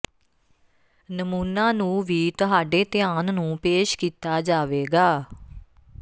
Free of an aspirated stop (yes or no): yes